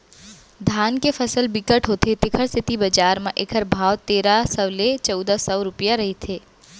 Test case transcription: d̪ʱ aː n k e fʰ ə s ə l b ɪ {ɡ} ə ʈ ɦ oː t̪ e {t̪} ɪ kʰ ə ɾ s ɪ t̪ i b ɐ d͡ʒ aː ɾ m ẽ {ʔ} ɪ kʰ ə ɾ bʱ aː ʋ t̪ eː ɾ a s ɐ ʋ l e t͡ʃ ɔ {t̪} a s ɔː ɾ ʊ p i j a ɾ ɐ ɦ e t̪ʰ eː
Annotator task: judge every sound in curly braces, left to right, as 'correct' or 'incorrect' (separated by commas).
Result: incorrect, correct, correct, incorrect